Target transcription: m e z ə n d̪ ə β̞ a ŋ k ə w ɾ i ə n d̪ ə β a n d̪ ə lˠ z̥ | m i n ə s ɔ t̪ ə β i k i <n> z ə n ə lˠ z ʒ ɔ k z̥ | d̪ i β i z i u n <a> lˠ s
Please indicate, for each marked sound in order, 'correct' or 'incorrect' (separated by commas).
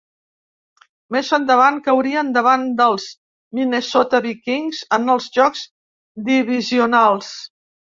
incorrect, correct